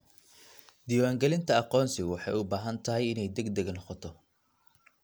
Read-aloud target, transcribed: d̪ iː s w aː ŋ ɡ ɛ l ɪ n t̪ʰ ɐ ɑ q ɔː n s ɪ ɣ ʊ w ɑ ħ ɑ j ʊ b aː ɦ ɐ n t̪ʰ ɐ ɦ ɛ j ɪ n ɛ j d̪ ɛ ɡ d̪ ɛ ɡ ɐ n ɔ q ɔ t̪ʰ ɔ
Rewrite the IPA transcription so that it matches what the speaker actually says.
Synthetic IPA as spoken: d̪ iː w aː ŋ ɡ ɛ l ɪ n t̪ʰ ɐ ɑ q ɔː n s ɪ ɣ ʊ w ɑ ħ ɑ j ʊ b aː ɦ ɐ n t̪ʰ ɐ ɦ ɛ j ɪ n ɛ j d̪ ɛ ɡ d̪ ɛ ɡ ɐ n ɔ q ɔ t̪ʰ ɔ

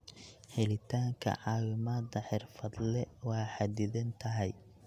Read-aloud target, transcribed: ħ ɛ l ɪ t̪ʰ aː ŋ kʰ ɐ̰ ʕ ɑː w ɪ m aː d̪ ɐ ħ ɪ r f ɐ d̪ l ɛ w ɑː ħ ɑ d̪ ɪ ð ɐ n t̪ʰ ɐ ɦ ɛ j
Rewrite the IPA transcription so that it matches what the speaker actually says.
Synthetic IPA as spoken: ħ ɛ l ɪ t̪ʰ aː ŋ kʰ ɐ̰ ʕ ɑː w ɪ m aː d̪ ɐ ħ ɪ r f ɐ d̪ l ɛ w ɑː ħ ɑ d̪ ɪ ð ɐ n t̪ʰ ɐ ɦ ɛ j

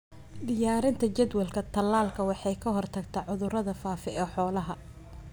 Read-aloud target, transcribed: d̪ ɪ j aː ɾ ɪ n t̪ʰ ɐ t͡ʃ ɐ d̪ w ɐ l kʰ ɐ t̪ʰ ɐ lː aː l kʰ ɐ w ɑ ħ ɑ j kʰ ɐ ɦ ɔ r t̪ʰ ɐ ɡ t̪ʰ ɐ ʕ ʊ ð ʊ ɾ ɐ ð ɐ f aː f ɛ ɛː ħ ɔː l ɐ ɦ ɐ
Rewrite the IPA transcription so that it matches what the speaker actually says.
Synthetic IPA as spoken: d̪ ɪ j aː ɾ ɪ n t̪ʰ ɐ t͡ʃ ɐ d̪ w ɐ l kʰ ɐ t̪ʰ ɐ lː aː l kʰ ɐ w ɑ ħ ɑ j kʰ ɐ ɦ ɔ r t̪ʰ ɐ ɡ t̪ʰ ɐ ʕ ʊ ð ʊ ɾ ɐ ð ɐ f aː f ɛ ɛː ħ ɔː l ɐ ɦ ɐ

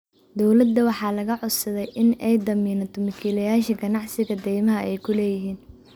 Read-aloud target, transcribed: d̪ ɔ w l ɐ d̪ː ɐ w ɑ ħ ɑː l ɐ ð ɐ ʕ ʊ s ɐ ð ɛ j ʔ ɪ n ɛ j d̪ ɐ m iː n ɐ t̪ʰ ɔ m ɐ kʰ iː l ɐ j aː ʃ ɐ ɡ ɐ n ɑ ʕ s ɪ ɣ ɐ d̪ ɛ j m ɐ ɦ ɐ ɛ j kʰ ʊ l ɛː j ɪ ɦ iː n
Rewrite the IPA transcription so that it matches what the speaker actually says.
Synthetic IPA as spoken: d̪ ɔ w l ɐ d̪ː ɐ w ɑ ħ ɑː l ɐ ɣ ɐ ʕ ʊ s ɐ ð ɛ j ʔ ɪ n ɛ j d̪ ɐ m iː n ɐ t̪ʰ ɔ m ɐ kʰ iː l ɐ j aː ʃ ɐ ɡ ɐ n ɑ ʕ s ɪ ɣ ɐ d̪ ɛ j m ɐ ɦ ɐ ɛ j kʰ ʊ l ɛː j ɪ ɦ iː n

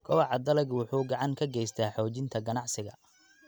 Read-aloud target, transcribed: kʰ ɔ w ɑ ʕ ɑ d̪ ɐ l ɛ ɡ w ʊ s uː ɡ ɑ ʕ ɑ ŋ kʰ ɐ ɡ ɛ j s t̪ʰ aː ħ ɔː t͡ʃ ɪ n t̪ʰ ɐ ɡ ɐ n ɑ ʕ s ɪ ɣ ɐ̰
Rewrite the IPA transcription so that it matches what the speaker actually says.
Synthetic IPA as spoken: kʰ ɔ w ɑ ʕ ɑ d̪ ɐ l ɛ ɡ w ʊ ħ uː ɡ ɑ ʕ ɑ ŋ kʰ ɐ ɡ ɛ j s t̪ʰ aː ħ ɔː t͡ʃ ɪ n t̪ʰ ɐ ɡ ɐ n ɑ ʕ s ɪ ɣ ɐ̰

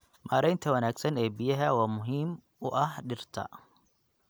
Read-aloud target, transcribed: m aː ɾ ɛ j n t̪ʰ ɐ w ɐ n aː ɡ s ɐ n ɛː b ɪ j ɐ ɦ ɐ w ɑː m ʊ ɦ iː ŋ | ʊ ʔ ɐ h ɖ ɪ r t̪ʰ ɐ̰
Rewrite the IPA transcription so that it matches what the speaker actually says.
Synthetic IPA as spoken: m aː ɾ ɛ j n t̪ʰ ɐ w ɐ n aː ɡ s ɐ n ɛː b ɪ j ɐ ɦ ɐ w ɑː m ʊ ɦ iː m | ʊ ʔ ɐ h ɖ ɪ r t̪ʰ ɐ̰

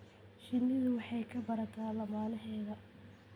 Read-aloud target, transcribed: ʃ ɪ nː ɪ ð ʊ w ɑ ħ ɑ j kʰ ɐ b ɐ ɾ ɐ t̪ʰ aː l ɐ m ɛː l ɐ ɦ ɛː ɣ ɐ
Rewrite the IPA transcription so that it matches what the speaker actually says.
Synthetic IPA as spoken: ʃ ɪ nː ɪ ð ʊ w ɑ ħ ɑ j kʰ ɐ b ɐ ɾ ɐ t̪ʰ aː l ɐ m aː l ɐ ɦ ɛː ð ɐ

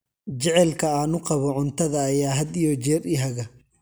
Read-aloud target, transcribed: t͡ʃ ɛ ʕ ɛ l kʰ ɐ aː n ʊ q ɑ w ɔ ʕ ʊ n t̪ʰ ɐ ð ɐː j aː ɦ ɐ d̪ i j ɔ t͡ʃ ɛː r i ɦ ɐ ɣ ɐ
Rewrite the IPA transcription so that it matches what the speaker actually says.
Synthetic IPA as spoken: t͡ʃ ɛ ʕ ɛ l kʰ ɐ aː n ʊ q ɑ β ɔ ʕ ʊ n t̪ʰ ɐ ð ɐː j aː ɦ ɐ d̪ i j ɔ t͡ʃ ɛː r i ɦ ɐ ɣ ɐ

